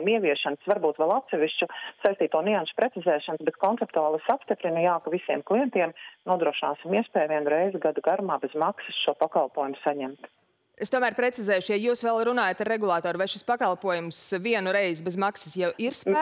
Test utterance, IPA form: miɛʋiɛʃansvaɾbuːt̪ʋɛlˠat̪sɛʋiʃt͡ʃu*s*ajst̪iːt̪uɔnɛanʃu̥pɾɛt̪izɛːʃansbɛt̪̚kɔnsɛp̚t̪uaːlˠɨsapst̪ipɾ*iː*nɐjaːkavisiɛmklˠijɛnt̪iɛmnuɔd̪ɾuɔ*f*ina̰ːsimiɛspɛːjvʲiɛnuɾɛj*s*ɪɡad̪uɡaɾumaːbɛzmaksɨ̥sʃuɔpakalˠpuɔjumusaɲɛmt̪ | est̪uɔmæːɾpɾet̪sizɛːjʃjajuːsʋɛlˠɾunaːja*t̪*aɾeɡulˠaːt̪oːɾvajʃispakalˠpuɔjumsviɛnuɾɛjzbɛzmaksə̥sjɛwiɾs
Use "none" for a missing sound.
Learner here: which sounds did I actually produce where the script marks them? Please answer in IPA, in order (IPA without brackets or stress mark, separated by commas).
s, i, ʃ, z, t̪